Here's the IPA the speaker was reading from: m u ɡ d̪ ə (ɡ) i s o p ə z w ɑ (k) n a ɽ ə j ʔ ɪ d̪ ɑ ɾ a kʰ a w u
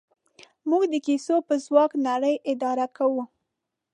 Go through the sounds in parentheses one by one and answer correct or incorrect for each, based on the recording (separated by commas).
incorrect, correct